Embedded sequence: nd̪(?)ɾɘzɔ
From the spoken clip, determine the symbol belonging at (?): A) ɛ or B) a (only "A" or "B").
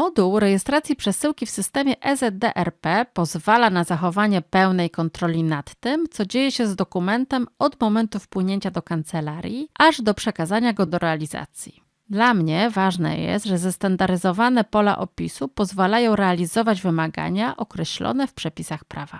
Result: B